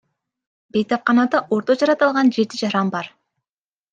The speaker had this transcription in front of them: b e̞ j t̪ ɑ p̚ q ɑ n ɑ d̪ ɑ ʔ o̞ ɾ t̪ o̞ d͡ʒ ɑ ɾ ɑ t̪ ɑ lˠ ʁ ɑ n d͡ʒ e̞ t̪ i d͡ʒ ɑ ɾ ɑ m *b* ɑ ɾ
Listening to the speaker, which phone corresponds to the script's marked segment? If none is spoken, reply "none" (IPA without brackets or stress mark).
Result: b